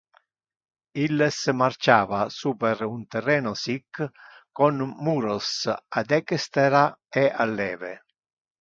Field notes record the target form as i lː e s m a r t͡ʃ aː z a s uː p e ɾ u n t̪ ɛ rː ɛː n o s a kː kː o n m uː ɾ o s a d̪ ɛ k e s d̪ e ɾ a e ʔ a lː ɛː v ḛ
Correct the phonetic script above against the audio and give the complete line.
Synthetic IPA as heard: i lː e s m a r t͡ʃ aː v a s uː p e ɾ u n t̪ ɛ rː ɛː n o s i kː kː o n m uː ɾ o s a d̪ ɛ k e s t̪ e ɾ a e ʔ a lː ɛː v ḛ